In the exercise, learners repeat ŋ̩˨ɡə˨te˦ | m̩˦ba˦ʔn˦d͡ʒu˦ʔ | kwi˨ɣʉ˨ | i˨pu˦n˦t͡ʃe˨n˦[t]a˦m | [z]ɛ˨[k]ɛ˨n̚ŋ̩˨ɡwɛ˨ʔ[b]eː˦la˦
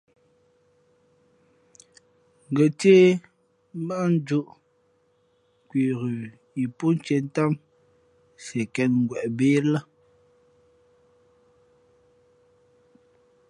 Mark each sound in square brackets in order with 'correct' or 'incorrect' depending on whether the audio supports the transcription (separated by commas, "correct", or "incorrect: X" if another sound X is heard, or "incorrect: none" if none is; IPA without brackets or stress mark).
correct, incorrect: s, correct, correct